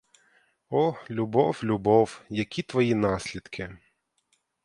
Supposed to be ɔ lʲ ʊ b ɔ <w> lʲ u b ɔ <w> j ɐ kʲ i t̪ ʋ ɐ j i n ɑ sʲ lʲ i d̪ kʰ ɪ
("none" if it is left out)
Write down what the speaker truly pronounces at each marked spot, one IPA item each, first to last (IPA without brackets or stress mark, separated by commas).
w, w